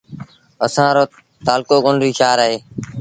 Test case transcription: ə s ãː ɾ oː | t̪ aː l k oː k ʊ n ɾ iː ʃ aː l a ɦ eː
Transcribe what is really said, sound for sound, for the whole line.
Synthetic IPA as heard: ə s ãː ɾ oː | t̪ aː l k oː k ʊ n ɾ iː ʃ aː ɾ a ɦ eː